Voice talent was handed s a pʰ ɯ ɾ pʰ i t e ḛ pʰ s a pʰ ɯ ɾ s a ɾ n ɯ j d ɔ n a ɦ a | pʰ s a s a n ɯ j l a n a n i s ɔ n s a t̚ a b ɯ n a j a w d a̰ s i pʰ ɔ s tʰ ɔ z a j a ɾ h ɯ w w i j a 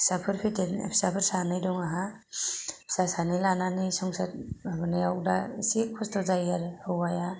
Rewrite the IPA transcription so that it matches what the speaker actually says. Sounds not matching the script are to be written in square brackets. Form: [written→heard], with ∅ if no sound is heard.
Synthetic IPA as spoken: s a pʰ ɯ ɾ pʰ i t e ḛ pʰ s a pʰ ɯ ɾ s a [ɾ→∅] n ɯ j d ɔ [n→ŋ] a ɦ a | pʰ s a s a n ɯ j l a n a n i s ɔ [n→ŋ] s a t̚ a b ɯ n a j a w d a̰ s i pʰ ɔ s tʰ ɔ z a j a ɾ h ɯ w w [i→a] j a